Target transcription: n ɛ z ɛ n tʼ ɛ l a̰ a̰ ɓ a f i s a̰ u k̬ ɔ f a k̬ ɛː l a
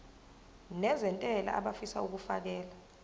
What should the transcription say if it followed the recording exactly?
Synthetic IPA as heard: n ɛ z ɛ n tʼ ɛ l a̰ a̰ ɓ a f i s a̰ u k̬ u f a k̬ ɛː l a